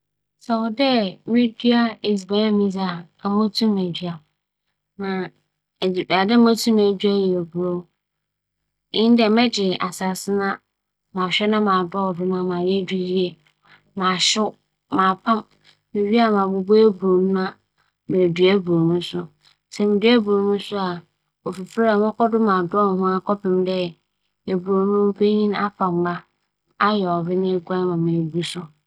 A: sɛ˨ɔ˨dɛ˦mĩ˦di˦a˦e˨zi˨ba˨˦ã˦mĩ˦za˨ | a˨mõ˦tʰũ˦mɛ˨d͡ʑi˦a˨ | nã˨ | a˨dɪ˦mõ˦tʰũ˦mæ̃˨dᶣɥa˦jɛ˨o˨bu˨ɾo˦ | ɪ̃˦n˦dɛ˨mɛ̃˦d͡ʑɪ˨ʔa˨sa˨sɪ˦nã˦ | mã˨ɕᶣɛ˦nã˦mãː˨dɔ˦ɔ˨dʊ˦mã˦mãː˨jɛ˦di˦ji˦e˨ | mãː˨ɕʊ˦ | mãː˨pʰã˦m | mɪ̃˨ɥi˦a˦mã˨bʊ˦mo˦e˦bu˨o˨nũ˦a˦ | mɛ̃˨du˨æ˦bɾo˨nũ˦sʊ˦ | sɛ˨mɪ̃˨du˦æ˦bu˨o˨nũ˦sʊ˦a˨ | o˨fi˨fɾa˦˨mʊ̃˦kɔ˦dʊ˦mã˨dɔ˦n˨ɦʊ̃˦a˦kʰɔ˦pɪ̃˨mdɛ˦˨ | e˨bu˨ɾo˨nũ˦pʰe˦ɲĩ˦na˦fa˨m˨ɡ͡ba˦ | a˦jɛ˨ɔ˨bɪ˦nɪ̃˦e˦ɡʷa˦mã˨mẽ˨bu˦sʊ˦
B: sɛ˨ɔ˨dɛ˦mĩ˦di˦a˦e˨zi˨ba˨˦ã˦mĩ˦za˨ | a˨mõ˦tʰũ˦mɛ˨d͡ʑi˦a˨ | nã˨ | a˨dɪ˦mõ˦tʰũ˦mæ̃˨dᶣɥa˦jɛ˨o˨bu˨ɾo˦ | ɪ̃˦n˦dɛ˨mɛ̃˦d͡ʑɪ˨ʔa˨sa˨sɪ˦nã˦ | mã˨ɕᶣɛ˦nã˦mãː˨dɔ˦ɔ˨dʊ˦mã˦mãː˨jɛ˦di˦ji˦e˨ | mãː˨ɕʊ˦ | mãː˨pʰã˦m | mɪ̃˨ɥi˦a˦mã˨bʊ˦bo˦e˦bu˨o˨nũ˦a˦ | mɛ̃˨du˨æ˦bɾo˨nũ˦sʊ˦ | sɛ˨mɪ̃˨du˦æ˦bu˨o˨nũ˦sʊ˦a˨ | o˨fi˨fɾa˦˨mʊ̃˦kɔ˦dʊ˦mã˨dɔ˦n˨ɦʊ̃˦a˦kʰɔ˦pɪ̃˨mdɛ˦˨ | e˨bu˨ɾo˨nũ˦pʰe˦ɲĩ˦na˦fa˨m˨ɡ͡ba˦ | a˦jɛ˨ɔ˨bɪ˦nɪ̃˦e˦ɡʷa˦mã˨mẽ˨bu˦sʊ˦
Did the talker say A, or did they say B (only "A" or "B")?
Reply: B